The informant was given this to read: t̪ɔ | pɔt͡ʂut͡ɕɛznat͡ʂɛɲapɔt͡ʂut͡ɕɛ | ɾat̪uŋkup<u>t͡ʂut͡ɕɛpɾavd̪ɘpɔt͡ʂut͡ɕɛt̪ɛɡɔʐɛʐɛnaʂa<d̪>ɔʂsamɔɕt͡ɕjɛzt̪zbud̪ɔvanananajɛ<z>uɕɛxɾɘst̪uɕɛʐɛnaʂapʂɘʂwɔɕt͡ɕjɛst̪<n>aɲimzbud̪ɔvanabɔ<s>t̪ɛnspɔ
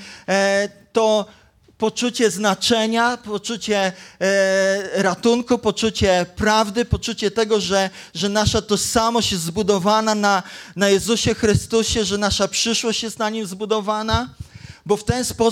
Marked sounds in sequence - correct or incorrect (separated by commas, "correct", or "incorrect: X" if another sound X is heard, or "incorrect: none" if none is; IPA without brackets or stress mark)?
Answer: incorrect: ɔ, incorrect: t̪, correct, correct, incorrect: f